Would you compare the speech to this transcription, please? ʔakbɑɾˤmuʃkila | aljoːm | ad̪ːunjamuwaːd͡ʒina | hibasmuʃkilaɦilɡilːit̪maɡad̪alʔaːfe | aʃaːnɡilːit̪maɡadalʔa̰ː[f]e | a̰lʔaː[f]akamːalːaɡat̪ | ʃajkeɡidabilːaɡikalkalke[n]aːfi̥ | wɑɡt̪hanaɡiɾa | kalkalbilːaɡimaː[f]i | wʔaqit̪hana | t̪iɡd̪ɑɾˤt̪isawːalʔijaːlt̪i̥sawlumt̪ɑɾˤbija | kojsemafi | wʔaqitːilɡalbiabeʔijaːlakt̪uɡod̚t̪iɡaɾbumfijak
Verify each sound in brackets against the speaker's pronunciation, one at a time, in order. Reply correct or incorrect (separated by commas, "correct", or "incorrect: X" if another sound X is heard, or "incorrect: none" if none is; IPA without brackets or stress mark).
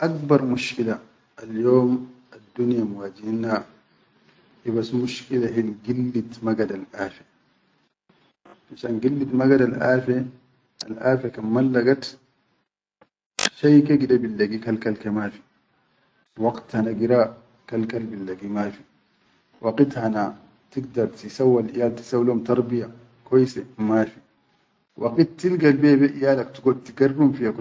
correct, correct, incorrect: m, correct